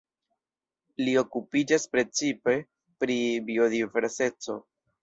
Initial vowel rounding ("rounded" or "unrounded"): unrounded